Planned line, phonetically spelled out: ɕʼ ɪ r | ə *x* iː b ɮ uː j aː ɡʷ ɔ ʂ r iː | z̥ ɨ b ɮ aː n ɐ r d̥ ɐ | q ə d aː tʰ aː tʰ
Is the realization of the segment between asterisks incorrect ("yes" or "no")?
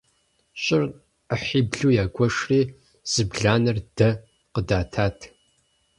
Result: yes